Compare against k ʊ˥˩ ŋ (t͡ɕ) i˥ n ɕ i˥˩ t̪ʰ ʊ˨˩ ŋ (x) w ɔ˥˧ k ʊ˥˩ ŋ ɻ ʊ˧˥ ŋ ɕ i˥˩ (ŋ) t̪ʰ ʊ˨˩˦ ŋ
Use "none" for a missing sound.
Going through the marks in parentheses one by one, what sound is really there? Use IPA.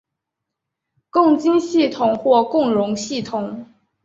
t͡ɕ, x, none

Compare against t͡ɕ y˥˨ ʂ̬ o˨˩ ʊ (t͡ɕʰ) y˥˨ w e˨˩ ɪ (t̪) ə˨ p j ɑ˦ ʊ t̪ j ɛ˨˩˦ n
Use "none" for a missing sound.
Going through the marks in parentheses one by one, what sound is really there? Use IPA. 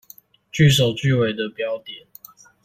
t͡ɕ, d̪

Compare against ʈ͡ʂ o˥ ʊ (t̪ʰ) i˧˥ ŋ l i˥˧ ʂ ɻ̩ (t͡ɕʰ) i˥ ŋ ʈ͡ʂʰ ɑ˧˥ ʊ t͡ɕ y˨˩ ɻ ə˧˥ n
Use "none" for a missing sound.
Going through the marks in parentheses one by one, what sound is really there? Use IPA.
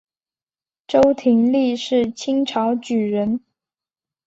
t̪ʰ, t͡ɕʰ

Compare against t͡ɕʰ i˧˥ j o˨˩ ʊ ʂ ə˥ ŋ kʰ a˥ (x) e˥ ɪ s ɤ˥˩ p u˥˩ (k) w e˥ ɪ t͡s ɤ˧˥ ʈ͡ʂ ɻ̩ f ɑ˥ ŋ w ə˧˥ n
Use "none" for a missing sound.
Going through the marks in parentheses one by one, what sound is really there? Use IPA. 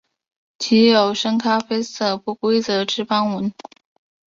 f, k

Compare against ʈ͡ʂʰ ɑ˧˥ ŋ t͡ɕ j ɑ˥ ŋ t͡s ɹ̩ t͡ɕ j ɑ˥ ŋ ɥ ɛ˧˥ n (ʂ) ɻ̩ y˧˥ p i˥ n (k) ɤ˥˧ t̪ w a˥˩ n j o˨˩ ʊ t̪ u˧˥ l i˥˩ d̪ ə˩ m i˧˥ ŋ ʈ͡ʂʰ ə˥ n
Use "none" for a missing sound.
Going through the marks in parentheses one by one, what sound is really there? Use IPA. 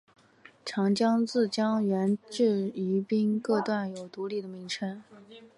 ʈ͡ʂ, k

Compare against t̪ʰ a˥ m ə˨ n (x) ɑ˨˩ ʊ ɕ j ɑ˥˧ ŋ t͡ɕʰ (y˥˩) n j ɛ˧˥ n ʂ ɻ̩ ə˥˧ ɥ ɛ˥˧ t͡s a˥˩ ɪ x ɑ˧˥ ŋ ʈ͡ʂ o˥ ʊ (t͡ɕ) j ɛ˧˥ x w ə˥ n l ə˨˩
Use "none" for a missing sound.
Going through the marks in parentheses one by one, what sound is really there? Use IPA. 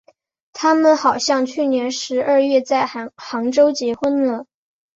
x, y˥˩, t͡ɕ

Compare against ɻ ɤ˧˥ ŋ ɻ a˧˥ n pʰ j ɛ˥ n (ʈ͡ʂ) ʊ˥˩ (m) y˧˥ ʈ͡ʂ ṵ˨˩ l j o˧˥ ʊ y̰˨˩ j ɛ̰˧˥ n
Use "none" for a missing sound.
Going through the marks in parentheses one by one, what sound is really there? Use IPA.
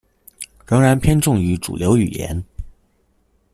ʈ͡ʂ, ŋ

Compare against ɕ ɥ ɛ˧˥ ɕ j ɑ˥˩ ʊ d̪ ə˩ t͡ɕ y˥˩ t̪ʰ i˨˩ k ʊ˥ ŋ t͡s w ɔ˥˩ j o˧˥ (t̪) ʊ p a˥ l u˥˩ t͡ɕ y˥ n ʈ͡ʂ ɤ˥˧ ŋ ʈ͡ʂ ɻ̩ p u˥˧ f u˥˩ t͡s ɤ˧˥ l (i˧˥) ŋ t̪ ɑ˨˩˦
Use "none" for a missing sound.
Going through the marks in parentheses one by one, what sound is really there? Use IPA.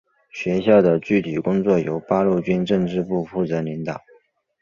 none, i˧˥

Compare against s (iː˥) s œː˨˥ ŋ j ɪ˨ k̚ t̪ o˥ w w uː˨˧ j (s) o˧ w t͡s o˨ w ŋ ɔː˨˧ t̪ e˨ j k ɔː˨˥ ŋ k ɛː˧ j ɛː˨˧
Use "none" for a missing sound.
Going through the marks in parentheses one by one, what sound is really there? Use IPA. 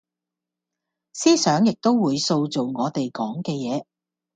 iː˥, s

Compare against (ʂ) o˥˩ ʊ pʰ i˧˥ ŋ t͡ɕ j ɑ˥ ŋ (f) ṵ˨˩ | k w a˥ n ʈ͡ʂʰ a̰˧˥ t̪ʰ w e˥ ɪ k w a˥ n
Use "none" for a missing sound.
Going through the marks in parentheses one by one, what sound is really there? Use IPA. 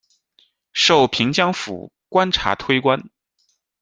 ʂ, f

